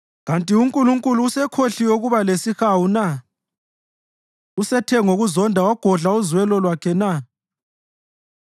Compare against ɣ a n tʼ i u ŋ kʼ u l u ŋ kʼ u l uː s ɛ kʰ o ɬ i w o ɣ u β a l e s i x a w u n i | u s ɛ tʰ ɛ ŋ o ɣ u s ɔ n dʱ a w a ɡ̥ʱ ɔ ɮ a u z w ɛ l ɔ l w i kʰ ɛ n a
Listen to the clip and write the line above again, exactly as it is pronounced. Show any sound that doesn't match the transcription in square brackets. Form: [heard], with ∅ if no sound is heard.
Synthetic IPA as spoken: ɣ a n tʼ i u ŋ kʼ u l u ŋ kʼ u l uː s ɛ kʰ o ɬ i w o ɣ u β a l e s i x a w u n [a] | u s ɛ tʰ ɛ ŋ o ɣ u [z] ɔ n dʱ a w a ɡ̥ʱ ɔ ɮ a u z w ɛ l ɔ l w [a] kʰ ɛ n a